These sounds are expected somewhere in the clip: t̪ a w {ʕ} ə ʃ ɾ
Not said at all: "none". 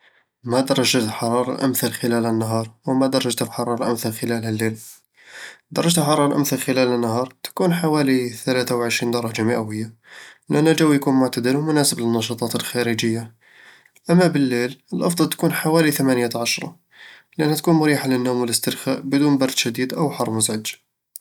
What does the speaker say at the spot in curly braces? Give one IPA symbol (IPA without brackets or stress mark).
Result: ʕ